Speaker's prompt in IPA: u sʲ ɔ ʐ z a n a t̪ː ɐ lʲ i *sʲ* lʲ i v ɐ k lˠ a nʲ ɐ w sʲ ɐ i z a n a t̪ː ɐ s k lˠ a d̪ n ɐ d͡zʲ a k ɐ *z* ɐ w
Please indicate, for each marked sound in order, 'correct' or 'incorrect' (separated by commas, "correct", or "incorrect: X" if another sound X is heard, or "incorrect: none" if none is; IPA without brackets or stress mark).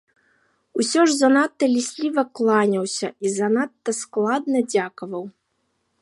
correct, incorrect: v